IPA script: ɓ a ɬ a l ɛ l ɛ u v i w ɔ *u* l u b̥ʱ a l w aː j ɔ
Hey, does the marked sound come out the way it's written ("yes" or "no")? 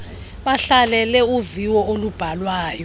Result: no